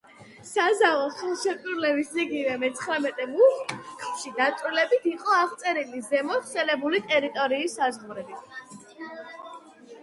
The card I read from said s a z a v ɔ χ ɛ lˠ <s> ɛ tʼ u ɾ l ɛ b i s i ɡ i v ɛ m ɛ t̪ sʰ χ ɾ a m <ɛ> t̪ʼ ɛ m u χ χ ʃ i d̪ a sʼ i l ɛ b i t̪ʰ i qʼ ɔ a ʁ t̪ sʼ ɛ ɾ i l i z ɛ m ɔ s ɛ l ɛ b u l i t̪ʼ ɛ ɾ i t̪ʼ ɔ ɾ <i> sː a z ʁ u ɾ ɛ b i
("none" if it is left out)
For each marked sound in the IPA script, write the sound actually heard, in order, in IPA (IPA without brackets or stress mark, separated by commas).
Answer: ʃ, ɛ, iː